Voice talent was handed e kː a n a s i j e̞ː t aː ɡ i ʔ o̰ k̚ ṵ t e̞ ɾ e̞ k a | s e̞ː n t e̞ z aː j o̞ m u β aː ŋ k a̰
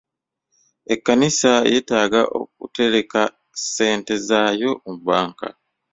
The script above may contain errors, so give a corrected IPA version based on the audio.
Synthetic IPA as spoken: e kː a n i s a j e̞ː t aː ɡ a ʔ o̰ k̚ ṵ t e̞ ɾ e̞ k a | s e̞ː n t e̞ z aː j o̞ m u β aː ŋ k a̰